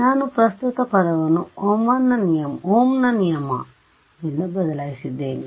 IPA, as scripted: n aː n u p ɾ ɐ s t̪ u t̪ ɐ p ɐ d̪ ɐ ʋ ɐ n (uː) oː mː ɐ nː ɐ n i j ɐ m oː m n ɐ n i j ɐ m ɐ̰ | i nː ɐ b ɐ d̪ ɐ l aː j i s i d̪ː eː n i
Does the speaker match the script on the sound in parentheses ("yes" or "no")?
no